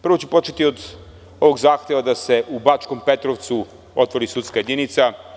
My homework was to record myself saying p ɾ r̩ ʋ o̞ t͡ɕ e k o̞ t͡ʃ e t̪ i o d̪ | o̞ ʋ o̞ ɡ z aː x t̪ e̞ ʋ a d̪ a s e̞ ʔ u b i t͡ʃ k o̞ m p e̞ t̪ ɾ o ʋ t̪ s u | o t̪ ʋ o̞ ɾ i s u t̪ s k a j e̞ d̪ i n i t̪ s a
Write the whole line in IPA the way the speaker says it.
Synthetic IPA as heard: p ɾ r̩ ʋ o̞ t͡ɕ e p o̞ t͡ʃ e t̪ i o d̪ | o̞ ʋ o̞ ɡ z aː x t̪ e̞ ʋ a d̪ a s e̞ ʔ u b a t͡ʃ k o̞ m p e̞ t̪ ɾ o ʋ t̪ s u | o t̪ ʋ o̞ ɾ i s u t̪ s k a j e̞ d̪ i n i t̪ s a